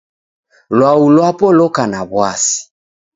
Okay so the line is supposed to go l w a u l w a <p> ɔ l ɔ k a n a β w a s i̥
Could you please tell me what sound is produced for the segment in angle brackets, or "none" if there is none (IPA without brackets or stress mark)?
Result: p